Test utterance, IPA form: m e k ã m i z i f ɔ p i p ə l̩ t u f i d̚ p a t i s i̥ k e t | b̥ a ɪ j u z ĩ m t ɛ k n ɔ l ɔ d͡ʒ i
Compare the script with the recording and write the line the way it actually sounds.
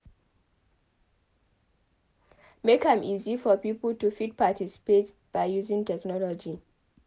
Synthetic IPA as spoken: m e k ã m i z i f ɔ p i p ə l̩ t u f i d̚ p a t i s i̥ p e t | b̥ a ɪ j u z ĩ ŋ t ɛ k n ɔ l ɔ d͡ʒ i